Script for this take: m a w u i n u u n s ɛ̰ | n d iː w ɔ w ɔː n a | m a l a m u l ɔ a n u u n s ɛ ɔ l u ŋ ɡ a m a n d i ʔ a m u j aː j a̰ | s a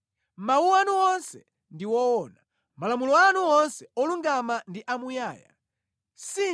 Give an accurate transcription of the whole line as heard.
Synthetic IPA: m a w u a n u ɔ n s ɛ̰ | n d i w ɔ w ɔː n a | m a l a m u l ɔ a n u ɔ n s ɛ ɔ l u ŋ ɡ a m a n d i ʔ a m u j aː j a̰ | s i